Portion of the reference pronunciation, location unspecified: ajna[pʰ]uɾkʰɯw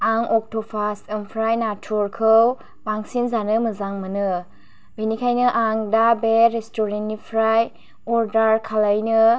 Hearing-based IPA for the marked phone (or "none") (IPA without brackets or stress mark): tʰ